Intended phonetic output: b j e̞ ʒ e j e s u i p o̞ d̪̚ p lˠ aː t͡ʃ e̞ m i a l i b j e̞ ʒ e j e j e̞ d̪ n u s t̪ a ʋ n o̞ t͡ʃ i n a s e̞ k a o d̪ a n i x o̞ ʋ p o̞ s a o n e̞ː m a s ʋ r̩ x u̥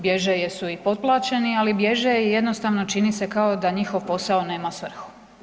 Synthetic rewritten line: b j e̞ ʒ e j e s u i p o̞ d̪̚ p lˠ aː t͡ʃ e̞ n i a l i b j e̞ ʒ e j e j e̞ d̪ n o s t̪ a ʋ n o̞ t͡ʃ i n i s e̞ k a o d̪ a ɲ i x o̞ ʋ p o̞ s a o n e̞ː m a s ʋ r̩ x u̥